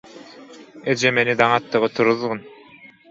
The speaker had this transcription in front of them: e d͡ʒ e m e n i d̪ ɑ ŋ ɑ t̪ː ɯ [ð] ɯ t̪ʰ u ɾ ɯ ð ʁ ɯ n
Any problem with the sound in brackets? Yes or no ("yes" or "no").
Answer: yes